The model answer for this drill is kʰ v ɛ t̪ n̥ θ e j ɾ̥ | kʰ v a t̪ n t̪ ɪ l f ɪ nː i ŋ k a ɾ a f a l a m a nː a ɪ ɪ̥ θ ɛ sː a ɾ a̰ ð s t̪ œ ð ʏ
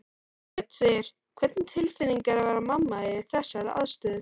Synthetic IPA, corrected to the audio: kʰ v ɛ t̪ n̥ s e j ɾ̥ | kʰ v ɛ t̪ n t̪ʰ ɪ l f ɪ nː i ŋ k a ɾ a v a ɾ a m a mː a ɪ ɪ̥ θ ɛ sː a ɾ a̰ ð s t̪ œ ð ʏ